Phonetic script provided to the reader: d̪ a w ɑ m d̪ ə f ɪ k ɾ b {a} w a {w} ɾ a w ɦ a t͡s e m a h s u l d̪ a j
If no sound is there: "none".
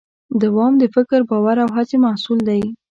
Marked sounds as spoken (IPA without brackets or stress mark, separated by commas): ɑ, none